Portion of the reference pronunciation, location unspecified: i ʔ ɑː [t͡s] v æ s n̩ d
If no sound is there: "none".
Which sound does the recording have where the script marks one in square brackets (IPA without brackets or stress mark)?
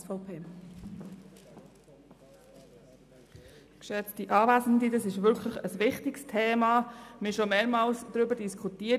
none